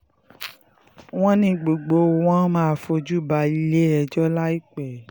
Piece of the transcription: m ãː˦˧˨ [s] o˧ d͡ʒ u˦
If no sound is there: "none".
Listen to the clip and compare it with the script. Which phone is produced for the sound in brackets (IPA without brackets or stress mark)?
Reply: f